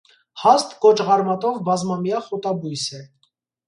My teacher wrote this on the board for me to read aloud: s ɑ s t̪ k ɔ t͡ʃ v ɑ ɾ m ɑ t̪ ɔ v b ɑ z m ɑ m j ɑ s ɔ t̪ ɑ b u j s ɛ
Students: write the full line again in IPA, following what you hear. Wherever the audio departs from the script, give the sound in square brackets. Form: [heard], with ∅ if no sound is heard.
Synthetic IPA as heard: [h] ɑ s t̪ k ɔ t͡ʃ [ʁ] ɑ ɾ m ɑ t̪ ɔ v b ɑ z m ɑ m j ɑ [χ] ɔ t̪ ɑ b u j s ɛ